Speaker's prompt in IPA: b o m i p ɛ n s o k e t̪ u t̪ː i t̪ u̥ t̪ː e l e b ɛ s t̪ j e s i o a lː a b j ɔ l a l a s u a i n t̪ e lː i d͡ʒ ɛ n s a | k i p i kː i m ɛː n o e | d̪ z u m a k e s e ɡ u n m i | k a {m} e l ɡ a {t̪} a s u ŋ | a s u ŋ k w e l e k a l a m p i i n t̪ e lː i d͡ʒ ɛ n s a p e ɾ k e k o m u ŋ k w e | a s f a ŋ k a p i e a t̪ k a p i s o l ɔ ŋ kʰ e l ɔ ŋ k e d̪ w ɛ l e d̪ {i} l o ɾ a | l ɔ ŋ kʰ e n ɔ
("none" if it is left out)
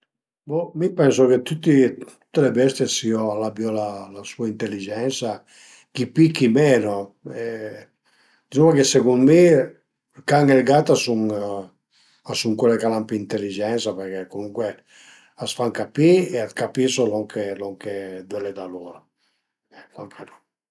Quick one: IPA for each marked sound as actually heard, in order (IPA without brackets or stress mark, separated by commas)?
ŋ, t̪, a